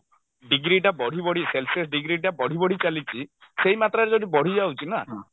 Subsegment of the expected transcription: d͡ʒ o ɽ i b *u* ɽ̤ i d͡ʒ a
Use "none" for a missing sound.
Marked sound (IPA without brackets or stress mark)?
ɔ